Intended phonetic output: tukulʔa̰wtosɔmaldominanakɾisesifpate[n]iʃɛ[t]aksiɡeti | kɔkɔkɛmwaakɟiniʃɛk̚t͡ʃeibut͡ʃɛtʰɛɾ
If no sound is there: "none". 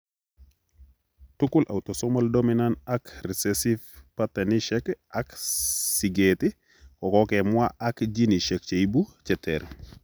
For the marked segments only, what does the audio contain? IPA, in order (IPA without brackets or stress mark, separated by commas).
n, k